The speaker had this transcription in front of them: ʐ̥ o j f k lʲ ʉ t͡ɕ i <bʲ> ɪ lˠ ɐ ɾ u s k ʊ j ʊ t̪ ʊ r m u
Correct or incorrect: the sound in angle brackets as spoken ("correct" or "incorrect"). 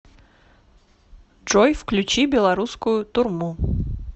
correct